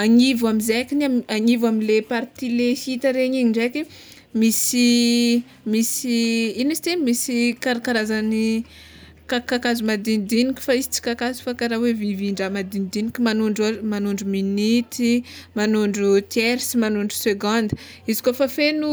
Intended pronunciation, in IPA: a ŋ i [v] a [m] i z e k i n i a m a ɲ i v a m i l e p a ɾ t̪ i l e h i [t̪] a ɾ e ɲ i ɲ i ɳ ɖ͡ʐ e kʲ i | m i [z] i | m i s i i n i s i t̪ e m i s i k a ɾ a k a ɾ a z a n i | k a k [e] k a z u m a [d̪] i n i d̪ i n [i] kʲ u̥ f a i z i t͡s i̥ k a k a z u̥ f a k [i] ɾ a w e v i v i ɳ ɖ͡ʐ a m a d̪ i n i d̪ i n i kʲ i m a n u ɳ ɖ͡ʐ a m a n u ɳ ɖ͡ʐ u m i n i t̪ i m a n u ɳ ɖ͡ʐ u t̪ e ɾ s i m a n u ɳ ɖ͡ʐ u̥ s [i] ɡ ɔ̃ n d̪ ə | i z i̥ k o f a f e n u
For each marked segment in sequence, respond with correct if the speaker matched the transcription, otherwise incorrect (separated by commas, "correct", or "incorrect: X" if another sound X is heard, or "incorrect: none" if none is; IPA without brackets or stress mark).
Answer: correct, correct, correct, incorrect: s, incorrect: a, correct, correct, incorrect: a, incorrect: e